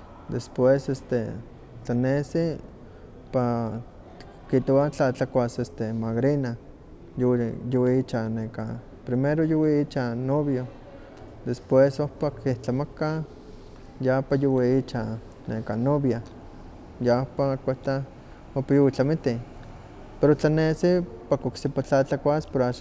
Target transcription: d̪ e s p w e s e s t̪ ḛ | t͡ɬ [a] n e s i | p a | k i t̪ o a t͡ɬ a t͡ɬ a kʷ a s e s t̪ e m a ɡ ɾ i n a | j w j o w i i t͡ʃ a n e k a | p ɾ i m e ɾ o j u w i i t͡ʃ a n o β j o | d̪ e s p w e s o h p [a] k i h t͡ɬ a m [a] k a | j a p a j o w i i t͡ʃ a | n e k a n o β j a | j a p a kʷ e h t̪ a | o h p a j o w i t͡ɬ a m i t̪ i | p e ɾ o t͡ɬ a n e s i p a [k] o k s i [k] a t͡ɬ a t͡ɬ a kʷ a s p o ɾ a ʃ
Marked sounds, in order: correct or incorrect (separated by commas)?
correct, correct, correct, correct, incorrect